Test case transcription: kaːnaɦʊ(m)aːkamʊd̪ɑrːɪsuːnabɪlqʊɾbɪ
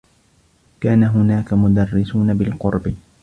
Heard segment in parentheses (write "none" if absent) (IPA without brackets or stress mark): n